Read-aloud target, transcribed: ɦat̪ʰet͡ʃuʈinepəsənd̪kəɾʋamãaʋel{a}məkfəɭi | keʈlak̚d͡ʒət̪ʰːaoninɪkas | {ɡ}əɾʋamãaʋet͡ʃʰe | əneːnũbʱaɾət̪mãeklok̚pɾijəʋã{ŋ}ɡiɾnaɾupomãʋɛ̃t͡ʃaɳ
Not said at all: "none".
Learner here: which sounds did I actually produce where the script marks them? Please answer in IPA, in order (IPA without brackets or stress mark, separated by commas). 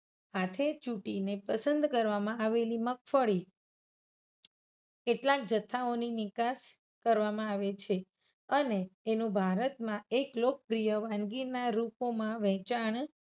i, k, n